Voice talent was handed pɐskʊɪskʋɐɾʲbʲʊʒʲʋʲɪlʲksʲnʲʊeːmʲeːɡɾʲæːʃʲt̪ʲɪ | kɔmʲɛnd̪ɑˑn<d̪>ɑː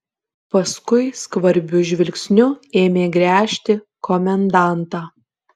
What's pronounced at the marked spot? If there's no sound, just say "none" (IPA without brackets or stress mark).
t̪